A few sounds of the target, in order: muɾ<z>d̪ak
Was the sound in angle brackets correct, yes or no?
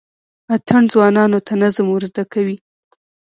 yes